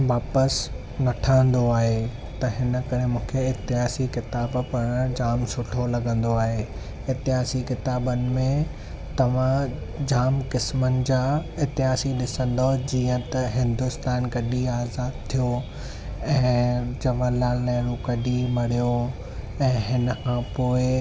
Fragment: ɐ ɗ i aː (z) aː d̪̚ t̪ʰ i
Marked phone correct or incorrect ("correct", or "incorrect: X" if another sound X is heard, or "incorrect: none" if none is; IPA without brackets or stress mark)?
correct